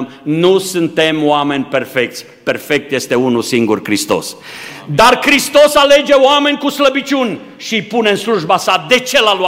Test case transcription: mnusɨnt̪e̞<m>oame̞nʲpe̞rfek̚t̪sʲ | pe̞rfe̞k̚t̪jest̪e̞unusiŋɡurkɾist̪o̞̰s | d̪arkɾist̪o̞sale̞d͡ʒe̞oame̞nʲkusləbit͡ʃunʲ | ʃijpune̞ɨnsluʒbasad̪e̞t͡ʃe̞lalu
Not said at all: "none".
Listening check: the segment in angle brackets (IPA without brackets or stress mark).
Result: m